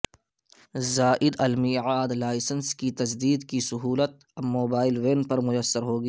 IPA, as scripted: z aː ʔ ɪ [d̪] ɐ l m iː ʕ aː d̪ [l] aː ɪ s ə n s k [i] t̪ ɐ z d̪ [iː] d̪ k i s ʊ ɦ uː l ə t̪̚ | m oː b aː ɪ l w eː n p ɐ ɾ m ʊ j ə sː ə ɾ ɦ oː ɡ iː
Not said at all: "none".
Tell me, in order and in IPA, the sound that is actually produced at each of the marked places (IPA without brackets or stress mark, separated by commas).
d̪, l, i, iː